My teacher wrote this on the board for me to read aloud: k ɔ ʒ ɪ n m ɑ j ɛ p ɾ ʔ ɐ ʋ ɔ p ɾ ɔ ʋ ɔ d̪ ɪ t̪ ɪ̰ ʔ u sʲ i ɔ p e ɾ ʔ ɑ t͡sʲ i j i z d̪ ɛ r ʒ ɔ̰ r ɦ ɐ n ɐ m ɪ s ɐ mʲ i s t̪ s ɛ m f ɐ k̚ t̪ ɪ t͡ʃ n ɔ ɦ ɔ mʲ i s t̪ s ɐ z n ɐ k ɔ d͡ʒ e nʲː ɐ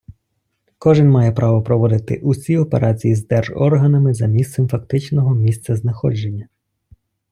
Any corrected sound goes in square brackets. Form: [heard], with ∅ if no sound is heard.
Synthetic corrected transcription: k ɔ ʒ ɪ n m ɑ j ɛ p ɾ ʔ [ɑ] ʋ ɔ p ɾ ɔ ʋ ɔ d̪ ɪ t̪ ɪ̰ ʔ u sʲ i ɔ p e ɾ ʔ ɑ t͡sʲ i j i z d̪ ɛ r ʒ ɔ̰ r ɦ ɐ n ɐ m ɪ [z] ɐ mʲ i s t̪ s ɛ m f ɐ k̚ t̪ ɪ t͡ʃ n ɔ ɦ ɔ mʲ i s t̪ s ɐ z n ɐ [x] ɔ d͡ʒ e nʲː ɐ

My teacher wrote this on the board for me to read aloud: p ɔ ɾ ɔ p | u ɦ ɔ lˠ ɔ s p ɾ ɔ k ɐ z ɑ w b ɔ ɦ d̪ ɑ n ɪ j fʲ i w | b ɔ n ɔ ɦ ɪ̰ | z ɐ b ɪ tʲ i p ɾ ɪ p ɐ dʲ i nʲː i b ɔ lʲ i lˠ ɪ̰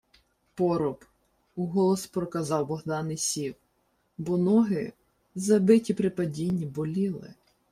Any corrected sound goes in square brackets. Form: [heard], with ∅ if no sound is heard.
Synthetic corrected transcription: p ɔ ɾ ɔ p | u ɦ ɔ lˠ ɔ s p ɾ ɔ k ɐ z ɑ w b ɔ ɦ d̪ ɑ n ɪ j [sʲ] i w | b ɔ n ɔ ɦ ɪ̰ | z ɐ b ɪ tʲ i p ɾ ɪ p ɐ dʲ i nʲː i b ɔ lʲ i lˠ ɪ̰

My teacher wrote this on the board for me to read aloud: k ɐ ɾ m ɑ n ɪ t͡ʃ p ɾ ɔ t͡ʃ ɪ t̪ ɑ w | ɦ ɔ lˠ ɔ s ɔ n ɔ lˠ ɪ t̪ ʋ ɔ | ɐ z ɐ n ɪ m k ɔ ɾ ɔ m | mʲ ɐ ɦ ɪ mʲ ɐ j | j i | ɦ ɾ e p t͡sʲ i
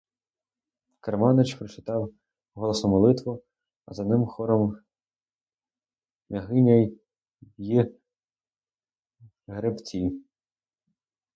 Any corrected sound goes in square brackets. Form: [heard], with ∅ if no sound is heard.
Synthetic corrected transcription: k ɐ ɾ m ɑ n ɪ t͡ʃ p ɾ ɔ t͡ʃ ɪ t̪ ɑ w | ɦ ɔ lˠ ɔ s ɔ [m] ɔ lˠ ɪ t̪ ʋ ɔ | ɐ z ɐ n ɪ m [x] ɔ ɾ ɔ m | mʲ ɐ ɦ ɪ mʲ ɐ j | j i | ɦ ɾ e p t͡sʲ i

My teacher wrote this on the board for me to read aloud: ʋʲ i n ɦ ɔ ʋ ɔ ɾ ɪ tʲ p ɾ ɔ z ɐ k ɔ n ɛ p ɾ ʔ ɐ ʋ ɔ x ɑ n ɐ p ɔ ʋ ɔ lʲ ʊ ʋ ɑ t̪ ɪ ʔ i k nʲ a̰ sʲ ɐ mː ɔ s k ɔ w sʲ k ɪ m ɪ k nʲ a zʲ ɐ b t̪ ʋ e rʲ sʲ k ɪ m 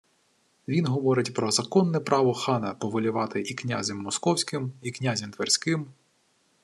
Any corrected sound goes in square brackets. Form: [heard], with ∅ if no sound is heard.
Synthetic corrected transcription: ʋʲ i n ɦ ɔ ʋ ɔ ɾ ɪ tʲ p ɾ ɔ z ɐ k ɔ [nː] ɛ p ɾ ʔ [ɑ] ʋ ɔ x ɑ n ɐ p ɔ ʋ ɔ lʲ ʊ ʋ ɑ t̪ ɪ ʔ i k nʲ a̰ [zʲ] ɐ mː ɔ s k ɔ w sʲ k ɪ m [i] k nʲ a zʲ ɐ [m] t̪ ʋ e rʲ sʲ k ɪ m

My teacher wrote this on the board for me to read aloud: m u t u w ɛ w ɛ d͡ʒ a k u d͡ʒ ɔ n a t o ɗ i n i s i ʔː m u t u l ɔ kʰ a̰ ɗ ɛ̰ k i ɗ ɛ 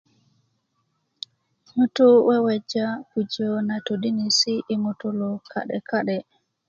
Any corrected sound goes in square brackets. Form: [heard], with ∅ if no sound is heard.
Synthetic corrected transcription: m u t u w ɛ w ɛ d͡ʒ a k u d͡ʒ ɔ n a t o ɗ i n i s i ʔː m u t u l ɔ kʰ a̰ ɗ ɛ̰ k [a] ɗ ɛ

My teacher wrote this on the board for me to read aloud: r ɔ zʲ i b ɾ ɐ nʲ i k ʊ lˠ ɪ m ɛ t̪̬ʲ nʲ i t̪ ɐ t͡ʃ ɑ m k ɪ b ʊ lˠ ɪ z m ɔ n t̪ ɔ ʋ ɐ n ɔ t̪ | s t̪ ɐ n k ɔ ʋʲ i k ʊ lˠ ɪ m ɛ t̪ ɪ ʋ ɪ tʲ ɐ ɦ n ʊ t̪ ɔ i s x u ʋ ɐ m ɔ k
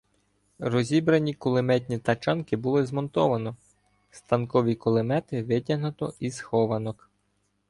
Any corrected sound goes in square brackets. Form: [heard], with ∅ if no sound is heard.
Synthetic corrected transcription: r ɔ zʲ i b ɾ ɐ nʲ i k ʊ lˠ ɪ m ɛ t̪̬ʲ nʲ i t̪ ɐ t͡ʃ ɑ [n] k ɪ b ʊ lˠ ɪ z m ɔ n t̪ ɔ ʋ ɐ n ɔ [∅] | s t̪ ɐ n k ɔ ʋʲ i k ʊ lˠ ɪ m ɛ t̪ ɪ ʋ ɪ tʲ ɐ ɦ n ʊ t̪ ɔ i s x [ɔ] ʋ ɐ [n] ɔ k

